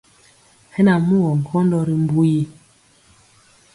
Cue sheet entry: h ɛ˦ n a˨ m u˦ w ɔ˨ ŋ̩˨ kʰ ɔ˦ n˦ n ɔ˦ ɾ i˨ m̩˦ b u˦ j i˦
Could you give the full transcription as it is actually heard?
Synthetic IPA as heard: h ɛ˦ n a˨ m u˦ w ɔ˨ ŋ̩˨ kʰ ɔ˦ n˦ d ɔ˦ ɾ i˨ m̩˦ b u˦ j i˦

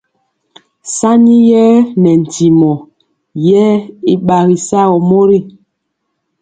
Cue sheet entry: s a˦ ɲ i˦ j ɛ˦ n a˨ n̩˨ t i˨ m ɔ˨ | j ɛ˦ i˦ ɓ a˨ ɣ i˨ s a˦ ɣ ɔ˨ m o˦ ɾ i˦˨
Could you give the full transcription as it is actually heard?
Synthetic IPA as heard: s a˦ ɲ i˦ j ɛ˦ n ɛ˨ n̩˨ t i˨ m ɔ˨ | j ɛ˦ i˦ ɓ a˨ ɣ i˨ s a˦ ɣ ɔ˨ m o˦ ɾ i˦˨

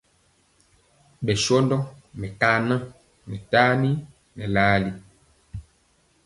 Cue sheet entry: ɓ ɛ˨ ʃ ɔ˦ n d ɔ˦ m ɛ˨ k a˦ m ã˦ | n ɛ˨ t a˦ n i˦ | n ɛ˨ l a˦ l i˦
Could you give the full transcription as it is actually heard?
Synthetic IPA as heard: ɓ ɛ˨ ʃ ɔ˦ n d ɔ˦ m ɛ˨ k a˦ n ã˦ | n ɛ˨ t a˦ n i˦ | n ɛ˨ l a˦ l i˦

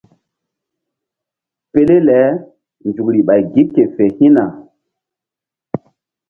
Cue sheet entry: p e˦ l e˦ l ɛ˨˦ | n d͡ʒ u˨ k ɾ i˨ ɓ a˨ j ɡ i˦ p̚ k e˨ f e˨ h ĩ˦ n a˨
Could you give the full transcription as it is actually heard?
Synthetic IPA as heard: p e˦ l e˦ l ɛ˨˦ | n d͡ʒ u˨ k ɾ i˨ ɓ a˨ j ɡ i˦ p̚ k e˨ f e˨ h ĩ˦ n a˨

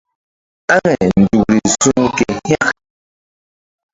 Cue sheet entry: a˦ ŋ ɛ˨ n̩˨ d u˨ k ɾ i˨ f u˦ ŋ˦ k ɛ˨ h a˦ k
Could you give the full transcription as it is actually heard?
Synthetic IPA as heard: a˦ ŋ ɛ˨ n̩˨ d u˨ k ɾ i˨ s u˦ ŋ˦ k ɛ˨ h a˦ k

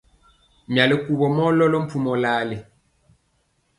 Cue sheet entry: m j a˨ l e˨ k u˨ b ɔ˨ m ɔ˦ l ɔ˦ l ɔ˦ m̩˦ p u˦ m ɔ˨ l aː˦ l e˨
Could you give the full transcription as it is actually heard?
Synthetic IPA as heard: m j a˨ l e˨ k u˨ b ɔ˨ m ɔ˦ l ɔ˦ l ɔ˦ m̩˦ p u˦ m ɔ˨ l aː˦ l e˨

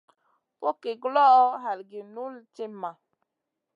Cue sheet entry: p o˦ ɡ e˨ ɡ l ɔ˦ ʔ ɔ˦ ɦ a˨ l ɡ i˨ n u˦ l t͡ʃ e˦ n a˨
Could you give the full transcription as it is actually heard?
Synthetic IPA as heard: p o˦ k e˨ ɡ l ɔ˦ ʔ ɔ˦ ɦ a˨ l ɡ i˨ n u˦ l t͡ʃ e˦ m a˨

